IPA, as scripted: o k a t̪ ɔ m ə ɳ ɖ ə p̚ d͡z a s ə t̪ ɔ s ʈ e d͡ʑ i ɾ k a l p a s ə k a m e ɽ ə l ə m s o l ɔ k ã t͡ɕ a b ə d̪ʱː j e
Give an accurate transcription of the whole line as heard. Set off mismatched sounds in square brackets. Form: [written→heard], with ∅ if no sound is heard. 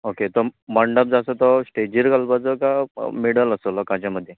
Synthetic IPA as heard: o k [a→e] t̪ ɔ m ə ɳ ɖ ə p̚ d͡z a s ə t̪ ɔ s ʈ e d͡ʑ i ɾ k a l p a [s→t͡s] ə k a m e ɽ ə l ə [m→∅] s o l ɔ k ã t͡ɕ a [b→m] ə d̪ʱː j e